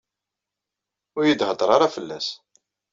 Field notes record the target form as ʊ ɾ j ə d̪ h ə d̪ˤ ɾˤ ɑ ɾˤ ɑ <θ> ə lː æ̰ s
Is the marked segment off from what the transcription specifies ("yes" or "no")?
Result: yes